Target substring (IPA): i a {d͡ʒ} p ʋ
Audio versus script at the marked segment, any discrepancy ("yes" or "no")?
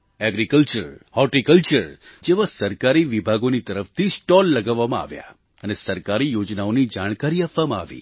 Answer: yes